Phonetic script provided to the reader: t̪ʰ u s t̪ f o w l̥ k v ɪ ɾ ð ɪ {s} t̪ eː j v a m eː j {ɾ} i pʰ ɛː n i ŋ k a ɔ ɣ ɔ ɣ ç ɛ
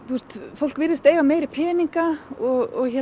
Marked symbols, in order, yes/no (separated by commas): yes, yes